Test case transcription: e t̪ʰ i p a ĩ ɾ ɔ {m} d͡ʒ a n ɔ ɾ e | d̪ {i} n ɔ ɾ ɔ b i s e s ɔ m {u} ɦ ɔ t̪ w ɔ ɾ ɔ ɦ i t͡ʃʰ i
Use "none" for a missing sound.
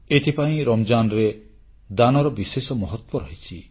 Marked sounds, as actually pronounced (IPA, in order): m, a, ɔ

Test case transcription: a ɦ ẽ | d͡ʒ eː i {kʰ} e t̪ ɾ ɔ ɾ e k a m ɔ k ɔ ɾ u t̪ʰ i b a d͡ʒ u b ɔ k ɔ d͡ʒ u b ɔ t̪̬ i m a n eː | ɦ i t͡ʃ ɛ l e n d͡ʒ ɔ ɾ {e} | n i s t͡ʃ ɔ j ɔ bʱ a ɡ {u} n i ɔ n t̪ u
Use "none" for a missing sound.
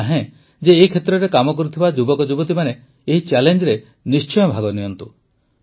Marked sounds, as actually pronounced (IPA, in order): kʰ, e, ɔ

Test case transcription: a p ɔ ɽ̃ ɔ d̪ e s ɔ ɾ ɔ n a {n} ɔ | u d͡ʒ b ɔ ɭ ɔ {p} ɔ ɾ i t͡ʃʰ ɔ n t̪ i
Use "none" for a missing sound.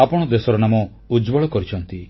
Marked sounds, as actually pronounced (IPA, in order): m, k

